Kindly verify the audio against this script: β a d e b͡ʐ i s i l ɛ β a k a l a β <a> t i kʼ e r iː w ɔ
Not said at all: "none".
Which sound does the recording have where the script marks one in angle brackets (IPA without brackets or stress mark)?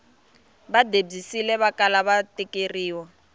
a